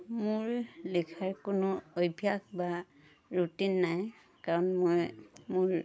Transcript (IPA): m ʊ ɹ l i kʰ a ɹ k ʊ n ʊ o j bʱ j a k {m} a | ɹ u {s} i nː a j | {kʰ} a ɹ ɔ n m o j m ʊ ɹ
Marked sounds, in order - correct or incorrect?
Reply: incorrect: b, incorrect: t, incorrect: k

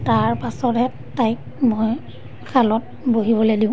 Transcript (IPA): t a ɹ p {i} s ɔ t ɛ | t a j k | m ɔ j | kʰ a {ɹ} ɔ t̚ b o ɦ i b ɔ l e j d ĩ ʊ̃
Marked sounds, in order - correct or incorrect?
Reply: incorrect: a, incorrect: l

